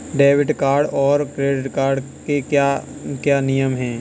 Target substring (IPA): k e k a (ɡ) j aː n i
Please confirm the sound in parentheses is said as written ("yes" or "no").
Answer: no